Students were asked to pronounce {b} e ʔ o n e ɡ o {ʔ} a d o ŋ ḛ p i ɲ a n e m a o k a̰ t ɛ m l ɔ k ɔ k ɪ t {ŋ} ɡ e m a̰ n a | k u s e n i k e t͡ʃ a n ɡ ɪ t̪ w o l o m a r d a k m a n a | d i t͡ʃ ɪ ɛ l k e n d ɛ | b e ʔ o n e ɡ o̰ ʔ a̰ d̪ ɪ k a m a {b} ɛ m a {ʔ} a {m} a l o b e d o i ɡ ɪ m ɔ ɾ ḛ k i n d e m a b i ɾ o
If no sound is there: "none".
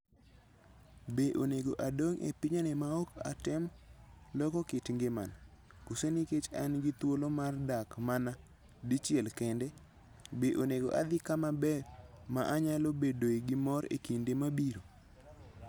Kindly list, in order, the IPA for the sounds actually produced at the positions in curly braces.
b, ʔ, ŋ, b, ʔ, ɲ

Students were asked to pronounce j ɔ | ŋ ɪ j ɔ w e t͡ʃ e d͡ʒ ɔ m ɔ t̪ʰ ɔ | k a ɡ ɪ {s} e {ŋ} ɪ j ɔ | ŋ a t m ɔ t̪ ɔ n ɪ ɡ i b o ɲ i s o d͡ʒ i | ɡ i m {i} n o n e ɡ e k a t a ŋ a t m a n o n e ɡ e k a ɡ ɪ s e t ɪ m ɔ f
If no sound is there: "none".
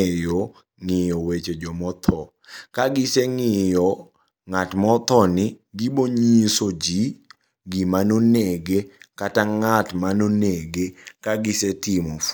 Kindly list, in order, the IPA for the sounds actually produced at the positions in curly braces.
s, ŋ, a

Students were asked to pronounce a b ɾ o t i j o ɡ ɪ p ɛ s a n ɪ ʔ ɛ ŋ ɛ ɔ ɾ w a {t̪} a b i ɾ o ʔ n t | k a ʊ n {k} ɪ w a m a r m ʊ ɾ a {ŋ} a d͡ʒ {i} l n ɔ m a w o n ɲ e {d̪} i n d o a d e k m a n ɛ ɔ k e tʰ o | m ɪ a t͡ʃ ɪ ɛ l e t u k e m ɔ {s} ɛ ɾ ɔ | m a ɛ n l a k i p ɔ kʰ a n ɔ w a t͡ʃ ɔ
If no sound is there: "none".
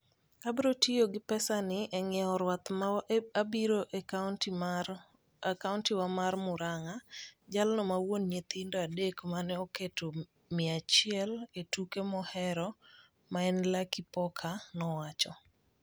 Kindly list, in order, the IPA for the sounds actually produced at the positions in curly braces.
t̪, t, ŋ, a, t̪, h

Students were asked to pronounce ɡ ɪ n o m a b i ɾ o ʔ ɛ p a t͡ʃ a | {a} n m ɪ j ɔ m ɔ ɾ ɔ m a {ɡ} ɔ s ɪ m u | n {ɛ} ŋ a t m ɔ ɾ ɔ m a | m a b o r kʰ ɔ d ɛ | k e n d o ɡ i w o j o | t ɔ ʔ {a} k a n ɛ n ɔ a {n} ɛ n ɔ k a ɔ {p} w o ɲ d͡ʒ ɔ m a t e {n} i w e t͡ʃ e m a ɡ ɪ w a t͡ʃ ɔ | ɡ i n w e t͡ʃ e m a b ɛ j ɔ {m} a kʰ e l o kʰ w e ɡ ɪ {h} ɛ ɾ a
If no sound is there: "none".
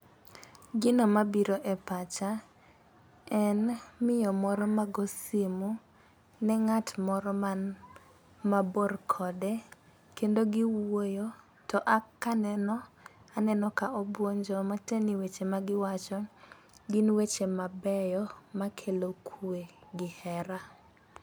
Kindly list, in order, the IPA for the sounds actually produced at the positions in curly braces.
ɛ, ɡ, ɛ, a, n, b, n, m, h

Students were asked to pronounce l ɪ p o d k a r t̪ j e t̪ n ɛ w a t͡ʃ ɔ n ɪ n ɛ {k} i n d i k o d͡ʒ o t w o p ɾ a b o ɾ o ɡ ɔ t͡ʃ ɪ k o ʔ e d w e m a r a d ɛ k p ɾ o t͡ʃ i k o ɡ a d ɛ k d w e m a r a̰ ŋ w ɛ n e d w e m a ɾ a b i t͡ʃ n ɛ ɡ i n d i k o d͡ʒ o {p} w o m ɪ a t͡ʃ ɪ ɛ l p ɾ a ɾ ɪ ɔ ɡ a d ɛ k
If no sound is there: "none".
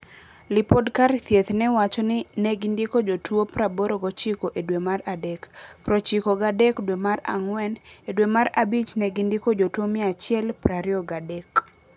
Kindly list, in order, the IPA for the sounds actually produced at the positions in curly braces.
ɡ, t

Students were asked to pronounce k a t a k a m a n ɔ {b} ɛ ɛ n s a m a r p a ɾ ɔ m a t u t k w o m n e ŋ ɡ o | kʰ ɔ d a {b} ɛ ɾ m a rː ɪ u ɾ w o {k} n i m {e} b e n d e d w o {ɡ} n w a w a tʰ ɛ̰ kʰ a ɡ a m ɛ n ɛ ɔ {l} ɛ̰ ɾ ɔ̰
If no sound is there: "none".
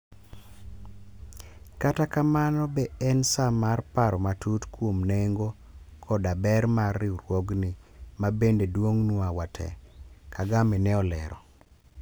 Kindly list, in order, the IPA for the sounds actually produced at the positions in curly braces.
b, b, ɡ, a, ŋ, l

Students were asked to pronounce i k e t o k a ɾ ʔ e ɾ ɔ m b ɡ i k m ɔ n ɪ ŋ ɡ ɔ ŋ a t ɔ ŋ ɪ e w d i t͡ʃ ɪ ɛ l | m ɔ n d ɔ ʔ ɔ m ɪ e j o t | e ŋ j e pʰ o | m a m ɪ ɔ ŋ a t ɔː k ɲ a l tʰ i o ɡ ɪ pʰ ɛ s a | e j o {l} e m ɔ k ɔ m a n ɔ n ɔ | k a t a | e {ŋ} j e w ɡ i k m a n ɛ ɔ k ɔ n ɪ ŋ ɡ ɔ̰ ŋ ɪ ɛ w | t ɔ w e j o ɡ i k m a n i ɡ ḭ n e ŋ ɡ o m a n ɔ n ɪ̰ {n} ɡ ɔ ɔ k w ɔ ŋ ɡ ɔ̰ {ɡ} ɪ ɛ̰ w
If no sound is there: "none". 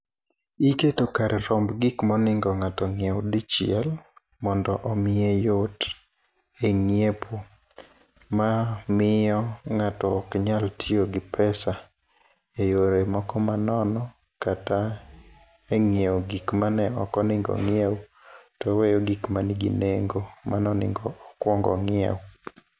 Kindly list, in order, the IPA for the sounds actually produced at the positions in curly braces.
ɾ, ŋ, ŋ, ŋ

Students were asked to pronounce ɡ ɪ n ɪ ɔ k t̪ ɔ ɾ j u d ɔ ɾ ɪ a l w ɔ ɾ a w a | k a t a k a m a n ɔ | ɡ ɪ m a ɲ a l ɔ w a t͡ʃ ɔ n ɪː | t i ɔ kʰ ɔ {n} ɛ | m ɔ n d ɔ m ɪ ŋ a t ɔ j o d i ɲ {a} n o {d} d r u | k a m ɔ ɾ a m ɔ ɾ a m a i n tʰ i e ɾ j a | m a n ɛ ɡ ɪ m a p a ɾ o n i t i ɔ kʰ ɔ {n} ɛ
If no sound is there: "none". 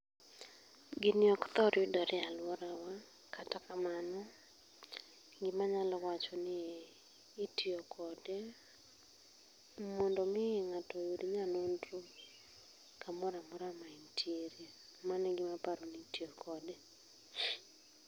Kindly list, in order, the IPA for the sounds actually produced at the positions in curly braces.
d, a, n, d

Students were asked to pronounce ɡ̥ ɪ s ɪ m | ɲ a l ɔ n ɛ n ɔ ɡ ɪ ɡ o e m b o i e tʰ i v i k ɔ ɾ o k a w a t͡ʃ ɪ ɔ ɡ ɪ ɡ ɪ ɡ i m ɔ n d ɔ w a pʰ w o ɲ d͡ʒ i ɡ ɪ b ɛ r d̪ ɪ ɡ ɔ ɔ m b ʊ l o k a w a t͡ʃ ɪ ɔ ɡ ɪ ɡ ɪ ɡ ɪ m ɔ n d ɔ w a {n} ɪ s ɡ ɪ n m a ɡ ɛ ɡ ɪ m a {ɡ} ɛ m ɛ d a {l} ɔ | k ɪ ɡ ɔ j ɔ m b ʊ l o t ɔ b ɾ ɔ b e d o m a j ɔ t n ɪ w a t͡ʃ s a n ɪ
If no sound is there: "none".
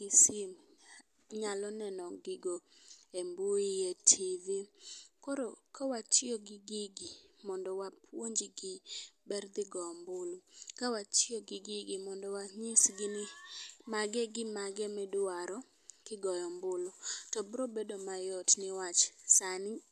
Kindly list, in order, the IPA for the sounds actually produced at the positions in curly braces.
ɲ, ɡ, ɾ

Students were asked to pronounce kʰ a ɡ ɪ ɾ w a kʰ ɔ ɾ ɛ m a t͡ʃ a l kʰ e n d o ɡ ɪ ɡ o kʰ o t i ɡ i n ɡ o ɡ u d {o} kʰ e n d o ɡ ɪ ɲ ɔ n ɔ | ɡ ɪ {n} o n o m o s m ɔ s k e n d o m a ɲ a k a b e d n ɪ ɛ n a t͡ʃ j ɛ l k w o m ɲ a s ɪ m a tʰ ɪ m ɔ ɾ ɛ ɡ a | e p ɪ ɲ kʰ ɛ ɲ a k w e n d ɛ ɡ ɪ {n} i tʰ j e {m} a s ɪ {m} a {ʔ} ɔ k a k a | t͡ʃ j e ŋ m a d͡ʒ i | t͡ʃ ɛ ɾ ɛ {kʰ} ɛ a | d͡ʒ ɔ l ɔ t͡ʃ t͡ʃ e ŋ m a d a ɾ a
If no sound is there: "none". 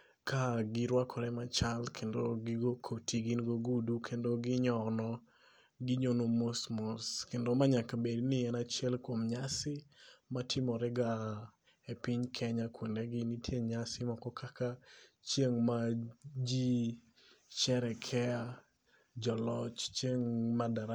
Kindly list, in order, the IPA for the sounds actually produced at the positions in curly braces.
u, ɲ, n, ɲ, m, k, kʰ

